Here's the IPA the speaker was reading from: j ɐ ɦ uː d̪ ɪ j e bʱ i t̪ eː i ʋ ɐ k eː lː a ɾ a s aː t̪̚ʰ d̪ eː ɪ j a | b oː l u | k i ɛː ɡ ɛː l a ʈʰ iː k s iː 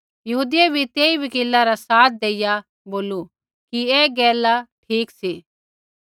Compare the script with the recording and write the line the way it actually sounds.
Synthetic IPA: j ɐ ɦ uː d̪ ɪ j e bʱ i t̪ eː i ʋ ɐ k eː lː a ɾ a s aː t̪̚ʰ d̪ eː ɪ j a | b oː l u | k i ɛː ɡ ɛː l a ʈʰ iː k s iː

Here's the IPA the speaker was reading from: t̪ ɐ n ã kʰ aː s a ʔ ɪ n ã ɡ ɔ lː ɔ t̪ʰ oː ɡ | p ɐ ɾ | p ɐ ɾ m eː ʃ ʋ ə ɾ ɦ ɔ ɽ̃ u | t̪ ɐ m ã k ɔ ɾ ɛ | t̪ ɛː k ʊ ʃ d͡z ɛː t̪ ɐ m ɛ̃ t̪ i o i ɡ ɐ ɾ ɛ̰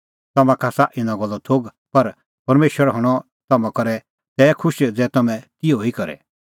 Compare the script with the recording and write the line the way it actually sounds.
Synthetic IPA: t̪ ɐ m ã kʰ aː s a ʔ ɪ n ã ɡ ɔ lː ɔ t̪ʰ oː ɡ | p ɐ ɾ | p ɐ ɾ m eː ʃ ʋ ə ɾ ɦ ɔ ɽ̃ ɔ | t̪ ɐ m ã k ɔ ɾ ɛ | t̪ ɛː kʰ ʊ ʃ d͡z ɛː t̪ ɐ m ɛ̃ t̪ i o i k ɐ ɾ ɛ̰

